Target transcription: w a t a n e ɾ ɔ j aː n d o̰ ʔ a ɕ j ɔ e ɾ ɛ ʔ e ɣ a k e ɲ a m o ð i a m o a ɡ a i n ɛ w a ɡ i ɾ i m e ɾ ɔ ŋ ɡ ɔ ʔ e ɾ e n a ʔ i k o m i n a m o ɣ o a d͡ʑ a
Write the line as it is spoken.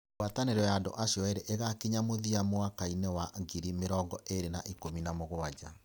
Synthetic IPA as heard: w a t a n e ɾ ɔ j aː n d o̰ ʔ a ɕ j ɔ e ɾ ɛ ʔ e ɣ a k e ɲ a m o ð i a m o a k a i n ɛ w a ɡ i ɾ i m e ɾ ɔ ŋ ɡ ɔ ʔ e ɾ e n a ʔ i k o m i n a m o ɣ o a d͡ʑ a